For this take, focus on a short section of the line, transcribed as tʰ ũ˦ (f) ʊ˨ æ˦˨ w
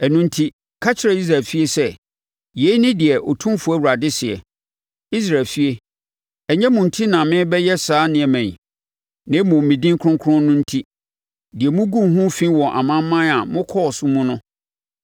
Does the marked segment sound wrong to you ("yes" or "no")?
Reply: no